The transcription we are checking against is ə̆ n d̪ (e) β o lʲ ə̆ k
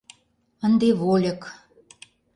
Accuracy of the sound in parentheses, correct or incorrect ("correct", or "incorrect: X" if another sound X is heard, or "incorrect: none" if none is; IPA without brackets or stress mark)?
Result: correct